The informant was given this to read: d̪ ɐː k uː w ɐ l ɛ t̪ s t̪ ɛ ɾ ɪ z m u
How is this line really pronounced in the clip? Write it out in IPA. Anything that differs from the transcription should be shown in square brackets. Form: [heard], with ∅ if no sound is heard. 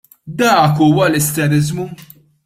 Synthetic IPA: d̪ ɐː k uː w ɐ l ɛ [∅] s t̪ ɛ ɾ ɪ z m u